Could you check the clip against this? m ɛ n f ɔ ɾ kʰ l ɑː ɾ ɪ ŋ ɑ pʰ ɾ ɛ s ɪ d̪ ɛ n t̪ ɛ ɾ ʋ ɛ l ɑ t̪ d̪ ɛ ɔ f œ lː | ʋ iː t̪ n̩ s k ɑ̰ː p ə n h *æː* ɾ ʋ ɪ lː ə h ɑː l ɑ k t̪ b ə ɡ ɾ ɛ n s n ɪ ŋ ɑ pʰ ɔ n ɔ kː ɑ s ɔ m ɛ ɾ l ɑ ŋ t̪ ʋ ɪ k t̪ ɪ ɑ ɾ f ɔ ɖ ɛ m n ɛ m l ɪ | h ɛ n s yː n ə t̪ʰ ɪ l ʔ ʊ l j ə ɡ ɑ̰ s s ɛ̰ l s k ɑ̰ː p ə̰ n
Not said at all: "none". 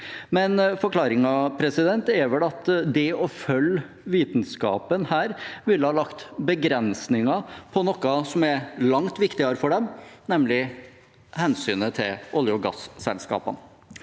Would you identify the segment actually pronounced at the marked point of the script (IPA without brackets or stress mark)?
æː